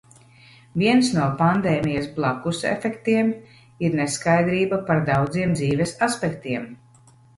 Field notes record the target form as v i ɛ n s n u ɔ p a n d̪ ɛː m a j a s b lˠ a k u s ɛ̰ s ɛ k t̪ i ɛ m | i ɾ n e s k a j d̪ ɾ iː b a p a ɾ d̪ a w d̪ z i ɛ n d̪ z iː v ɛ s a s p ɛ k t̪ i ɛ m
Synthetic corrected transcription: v i ɛ n s n u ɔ p a n d̪ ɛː m i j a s b lˠ a k u s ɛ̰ f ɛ k t̪ i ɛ m | i ɾ n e s k a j d̪ ɾ iː b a p a ɾ d̪ a w d̪ z i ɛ m d̪ z iː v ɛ s a s p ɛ k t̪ i ɛ m